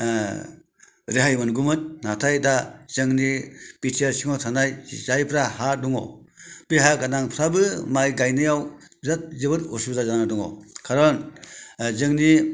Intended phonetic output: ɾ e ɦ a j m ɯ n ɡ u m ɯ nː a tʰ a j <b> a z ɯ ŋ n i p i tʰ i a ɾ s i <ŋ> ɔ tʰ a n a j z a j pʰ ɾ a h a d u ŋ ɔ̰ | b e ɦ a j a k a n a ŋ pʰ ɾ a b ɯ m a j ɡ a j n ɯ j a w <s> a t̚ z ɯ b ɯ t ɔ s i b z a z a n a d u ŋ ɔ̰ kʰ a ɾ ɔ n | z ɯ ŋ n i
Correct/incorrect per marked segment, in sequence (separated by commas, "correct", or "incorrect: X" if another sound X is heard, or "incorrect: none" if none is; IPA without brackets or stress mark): incorrect: d, correct, incorrect: z